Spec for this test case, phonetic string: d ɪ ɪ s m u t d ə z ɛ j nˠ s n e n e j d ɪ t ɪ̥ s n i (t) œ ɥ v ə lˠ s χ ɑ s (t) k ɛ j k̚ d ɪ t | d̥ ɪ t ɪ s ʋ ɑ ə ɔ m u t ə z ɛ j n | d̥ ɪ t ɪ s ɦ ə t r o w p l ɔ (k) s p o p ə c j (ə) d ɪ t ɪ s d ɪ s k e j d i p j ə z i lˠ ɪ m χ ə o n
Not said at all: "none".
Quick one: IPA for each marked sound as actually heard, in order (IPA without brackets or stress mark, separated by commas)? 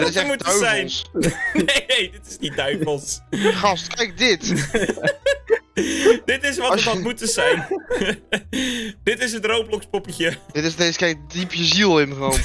d, t, k, ə